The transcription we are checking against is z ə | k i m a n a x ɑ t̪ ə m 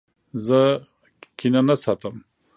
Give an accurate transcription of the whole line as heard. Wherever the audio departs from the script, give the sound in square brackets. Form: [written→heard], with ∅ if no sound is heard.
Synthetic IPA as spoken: z ə | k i [m→n] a n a [x→s] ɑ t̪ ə m